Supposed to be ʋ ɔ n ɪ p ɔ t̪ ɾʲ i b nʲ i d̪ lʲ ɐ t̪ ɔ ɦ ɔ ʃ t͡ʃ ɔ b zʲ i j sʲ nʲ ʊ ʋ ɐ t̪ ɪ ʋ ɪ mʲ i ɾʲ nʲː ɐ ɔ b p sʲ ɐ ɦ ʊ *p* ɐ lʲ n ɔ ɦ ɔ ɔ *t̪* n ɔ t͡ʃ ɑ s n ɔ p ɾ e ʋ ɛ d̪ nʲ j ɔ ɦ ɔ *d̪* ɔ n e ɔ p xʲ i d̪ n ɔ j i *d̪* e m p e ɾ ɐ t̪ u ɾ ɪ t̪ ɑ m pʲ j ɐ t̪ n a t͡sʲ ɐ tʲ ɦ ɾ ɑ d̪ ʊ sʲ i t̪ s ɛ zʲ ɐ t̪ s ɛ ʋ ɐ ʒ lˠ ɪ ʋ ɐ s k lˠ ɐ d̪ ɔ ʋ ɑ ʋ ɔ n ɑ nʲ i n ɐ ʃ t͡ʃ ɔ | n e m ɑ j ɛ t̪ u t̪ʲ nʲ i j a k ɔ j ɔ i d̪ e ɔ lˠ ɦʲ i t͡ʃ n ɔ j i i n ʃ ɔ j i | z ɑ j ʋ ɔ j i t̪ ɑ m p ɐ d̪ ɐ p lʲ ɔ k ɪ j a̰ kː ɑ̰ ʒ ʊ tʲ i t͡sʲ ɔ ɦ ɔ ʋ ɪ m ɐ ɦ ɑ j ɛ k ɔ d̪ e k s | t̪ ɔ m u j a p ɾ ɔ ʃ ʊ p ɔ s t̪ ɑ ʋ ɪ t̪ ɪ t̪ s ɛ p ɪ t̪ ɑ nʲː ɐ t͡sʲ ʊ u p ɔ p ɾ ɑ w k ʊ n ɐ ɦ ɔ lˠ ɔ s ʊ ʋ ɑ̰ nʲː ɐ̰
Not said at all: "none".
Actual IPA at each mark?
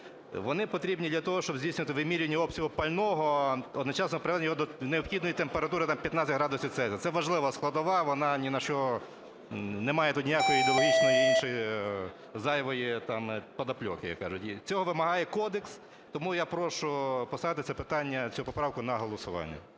p, d̪, d̪, t̪

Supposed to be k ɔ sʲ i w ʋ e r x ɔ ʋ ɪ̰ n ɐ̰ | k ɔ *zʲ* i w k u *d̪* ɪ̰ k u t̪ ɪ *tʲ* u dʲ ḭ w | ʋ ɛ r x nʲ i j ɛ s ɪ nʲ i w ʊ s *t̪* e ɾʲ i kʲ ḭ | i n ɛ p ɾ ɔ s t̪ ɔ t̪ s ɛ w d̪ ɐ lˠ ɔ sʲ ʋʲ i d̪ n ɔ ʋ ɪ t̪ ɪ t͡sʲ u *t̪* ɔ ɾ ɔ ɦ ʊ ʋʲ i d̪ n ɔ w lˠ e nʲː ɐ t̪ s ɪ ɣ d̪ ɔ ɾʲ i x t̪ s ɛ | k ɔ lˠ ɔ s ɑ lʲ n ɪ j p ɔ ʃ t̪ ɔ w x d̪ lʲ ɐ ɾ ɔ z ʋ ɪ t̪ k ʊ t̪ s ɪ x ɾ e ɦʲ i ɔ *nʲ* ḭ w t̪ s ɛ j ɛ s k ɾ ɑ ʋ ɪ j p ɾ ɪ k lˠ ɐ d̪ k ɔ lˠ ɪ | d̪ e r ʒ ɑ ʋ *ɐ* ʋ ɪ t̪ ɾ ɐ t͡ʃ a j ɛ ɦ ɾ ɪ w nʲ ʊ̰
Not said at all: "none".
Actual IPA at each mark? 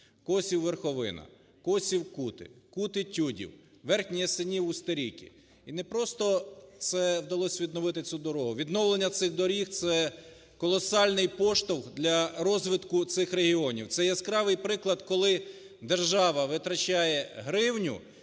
sʲ, t̪, tʲ, t̪, d̪, nʲ, ɐ

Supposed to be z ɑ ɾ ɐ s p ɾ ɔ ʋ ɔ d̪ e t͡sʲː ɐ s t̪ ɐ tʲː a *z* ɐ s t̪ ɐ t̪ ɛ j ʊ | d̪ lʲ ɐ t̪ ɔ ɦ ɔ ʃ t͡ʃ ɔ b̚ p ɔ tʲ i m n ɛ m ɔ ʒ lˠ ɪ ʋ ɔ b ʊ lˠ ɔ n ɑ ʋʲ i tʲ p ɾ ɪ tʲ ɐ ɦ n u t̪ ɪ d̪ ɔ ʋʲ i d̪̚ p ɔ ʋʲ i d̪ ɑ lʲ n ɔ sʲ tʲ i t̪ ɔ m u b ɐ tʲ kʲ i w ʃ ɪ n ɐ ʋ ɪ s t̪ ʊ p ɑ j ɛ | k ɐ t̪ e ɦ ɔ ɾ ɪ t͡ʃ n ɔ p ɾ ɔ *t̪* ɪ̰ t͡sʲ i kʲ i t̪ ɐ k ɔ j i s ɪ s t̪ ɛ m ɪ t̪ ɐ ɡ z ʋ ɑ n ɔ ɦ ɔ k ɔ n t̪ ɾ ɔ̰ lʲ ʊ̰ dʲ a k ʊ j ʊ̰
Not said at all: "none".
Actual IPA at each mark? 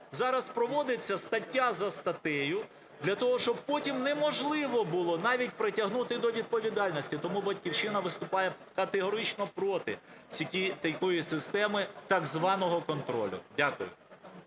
z, t̪

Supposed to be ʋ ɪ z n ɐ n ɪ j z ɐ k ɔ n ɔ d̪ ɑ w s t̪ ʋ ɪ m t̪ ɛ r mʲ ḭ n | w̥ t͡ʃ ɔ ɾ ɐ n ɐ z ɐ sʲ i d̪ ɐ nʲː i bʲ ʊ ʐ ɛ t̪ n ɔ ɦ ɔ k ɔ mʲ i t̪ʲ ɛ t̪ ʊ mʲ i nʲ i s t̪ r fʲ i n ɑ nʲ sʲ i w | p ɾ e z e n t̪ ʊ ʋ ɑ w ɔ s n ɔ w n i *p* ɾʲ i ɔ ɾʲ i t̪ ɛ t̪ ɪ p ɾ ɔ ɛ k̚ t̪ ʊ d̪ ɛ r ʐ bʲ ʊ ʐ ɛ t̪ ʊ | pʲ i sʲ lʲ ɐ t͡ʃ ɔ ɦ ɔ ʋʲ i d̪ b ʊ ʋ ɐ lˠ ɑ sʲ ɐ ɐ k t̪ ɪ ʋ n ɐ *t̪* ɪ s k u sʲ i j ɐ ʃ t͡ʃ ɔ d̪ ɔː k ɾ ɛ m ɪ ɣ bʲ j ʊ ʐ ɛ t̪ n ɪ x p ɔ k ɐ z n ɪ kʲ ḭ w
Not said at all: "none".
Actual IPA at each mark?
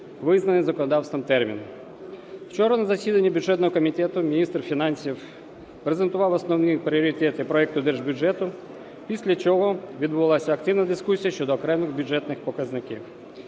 p, d̪

